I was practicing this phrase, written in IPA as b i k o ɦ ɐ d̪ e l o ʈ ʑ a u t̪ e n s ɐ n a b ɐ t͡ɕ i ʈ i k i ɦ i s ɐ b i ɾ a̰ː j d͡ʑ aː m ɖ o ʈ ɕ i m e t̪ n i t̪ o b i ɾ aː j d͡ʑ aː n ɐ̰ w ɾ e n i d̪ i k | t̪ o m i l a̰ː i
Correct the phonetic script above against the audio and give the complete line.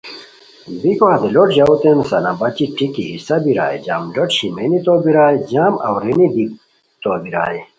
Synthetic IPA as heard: b i k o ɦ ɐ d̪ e l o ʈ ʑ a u t̪ e n s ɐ n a b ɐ t͡ɕ i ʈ i k i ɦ i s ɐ b i ɾ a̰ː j d͡ʑ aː m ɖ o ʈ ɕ i m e n i t̪ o b i ɾ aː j d͡ʑ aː m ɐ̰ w ɾ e n i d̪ i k | t̪ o b i ɾ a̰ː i